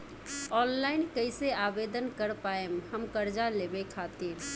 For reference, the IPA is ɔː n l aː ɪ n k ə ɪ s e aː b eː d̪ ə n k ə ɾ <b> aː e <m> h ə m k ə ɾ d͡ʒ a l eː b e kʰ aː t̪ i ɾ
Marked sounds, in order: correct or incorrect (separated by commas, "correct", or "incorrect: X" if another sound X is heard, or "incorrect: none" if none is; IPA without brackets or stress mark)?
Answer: incorrect: p, correct